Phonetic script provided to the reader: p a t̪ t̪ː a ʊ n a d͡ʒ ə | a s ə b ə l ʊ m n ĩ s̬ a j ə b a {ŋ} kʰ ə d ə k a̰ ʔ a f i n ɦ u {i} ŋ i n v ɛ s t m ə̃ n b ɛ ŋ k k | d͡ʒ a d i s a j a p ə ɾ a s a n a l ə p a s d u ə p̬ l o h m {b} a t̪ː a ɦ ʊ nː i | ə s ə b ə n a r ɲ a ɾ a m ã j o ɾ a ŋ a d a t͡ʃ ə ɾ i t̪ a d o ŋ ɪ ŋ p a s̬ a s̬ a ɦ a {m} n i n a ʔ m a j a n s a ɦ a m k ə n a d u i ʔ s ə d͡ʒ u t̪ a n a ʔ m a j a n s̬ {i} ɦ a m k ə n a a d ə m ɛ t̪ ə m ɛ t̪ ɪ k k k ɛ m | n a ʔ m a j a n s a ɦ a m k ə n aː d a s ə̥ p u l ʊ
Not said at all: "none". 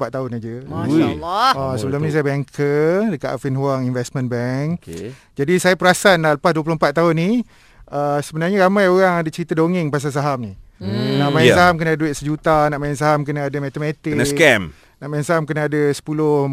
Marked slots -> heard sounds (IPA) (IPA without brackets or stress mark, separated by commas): ŋ, a, p, m, a